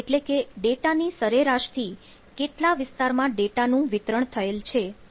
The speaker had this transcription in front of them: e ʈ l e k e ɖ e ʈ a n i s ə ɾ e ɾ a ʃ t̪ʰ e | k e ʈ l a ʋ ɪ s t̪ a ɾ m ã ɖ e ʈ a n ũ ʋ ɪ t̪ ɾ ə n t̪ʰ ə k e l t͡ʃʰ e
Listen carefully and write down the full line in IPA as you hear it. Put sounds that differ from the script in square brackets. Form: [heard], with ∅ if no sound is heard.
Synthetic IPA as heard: e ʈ l e k e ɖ e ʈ a n i s ə ɾ e ɾ a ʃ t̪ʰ [i] | k e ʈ l a ʋ ɪ s t̪ a ɾ m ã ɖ e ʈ a n ũ ʋ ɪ t̪ ɾ ə [ɳ] t̪ʰ ə [∅] e l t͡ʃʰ e